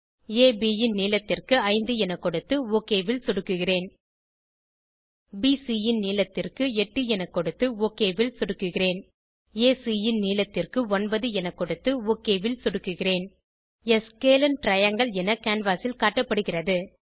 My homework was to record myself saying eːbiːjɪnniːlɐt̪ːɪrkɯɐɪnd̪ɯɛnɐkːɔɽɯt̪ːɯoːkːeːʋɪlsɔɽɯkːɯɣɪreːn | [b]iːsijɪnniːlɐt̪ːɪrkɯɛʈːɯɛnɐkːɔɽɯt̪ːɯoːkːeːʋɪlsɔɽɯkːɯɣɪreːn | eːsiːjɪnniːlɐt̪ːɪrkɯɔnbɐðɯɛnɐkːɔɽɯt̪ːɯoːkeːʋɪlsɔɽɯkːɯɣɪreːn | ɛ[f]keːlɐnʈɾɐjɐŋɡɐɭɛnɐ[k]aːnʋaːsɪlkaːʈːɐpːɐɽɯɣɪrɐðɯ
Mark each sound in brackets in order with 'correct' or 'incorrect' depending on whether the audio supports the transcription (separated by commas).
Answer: correct, incorrect, correct